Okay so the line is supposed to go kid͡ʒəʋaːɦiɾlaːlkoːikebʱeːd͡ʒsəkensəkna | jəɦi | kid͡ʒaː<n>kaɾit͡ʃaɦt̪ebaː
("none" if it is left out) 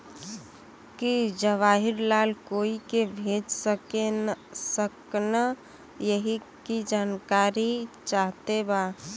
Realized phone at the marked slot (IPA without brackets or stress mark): n